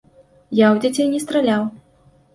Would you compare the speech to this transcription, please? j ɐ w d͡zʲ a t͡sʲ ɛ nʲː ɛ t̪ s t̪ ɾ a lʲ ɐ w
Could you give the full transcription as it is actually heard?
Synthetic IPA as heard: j a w d͡zʲ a t͡sʲ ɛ nʲ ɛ s t̪ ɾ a lʲ a w